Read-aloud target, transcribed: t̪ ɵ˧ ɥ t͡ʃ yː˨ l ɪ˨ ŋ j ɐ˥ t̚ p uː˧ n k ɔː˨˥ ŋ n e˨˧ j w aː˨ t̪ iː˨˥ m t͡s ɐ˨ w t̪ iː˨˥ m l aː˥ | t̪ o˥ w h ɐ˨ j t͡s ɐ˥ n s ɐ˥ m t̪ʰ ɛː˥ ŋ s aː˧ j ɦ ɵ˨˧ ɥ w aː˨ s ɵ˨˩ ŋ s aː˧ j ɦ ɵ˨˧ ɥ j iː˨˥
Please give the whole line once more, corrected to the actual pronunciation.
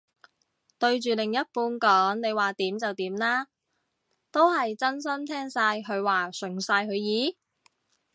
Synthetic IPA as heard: t̪ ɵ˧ ɥ t͡ʃ yː˨ l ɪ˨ ŋ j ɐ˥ t̚ p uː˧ n k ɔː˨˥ ŋ n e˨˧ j w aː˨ t̪ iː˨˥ m t͡s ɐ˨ w t̪ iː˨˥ m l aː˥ | t̪ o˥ w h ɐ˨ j t͡s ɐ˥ n s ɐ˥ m t̪ʰ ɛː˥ ŋ s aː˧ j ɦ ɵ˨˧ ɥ w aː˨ s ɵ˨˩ ŋ s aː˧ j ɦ ɵ˨˧ ɥ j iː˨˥